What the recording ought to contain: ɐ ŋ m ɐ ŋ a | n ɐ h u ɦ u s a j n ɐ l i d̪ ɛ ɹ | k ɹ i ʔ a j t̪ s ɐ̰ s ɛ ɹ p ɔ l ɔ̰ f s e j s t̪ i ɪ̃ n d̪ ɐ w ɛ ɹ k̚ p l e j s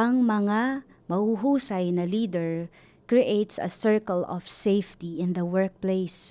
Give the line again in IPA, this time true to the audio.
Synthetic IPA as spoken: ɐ ŋ m ɐ ŋ a | m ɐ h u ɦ u s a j n ɐ l i d̪ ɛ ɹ | k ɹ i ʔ e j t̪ s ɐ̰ s ɛ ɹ k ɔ l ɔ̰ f s e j f t̪ i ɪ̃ n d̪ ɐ w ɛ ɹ k̚ p l e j s